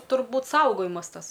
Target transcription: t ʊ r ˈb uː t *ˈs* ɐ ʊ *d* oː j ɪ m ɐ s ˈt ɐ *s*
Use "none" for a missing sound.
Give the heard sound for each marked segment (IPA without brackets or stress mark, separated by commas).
s, ɡ, s